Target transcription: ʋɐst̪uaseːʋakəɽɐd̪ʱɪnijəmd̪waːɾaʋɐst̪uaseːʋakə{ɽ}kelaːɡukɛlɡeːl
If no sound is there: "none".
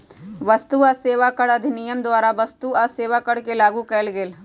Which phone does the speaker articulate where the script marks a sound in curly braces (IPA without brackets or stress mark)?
ɽ